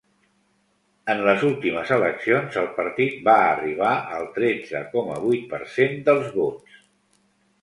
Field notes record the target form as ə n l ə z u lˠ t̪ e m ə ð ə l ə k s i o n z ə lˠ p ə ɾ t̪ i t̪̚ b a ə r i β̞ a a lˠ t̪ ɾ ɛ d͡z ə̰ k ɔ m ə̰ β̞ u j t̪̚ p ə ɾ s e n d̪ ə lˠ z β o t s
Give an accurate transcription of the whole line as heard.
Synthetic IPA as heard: ə n l ə z u lˠ t̪ i m ə z ə l ə k s i o n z ə lˠ p ə ɾ t̪ i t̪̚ b a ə r i β̞ a ə lˠ t̪ ɾ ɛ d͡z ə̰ k ɔ m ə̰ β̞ u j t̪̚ p ə ɾ s e n d̪ ə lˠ z β o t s